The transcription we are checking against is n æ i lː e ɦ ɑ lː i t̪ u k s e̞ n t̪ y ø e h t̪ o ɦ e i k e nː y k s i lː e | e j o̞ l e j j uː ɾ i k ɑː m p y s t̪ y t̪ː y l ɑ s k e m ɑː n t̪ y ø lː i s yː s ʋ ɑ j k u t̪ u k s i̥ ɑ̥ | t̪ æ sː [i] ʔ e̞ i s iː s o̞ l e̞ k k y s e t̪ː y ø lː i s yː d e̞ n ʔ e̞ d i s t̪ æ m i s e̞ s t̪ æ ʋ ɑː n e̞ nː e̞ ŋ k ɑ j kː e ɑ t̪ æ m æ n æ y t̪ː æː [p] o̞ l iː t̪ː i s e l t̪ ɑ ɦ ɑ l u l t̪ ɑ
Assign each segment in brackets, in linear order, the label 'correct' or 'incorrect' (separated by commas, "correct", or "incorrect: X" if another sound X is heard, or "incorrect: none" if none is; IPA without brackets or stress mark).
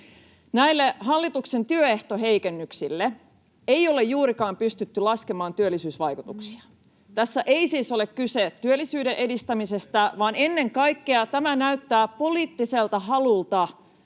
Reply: incorrect: æ, correct